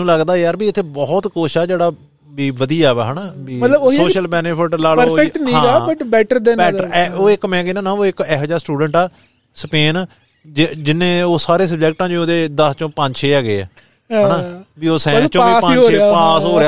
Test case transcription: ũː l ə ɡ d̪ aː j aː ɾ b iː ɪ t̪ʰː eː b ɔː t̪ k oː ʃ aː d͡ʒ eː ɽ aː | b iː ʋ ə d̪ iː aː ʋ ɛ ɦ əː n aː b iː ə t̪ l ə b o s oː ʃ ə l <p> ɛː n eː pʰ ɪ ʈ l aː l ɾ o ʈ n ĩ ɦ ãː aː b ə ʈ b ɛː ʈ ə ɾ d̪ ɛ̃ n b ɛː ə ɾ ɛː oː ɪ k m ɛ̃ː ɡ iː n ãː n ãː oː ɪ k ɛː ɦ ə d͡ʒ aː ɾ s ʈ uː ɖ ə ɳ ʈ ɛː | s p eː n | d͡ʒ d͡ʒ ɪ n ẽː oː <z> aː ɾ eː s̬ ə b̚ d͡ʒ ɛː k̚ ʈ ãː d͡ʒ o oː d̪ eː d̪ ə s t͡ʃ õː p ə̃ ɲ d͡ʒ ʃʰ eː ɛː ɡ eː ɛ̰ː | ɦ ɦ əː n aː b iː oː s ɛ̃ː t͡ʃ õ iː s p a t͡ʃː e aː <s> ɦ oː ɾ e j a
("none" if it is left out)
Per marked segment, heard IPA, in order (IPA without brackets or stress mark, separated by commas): b, s, s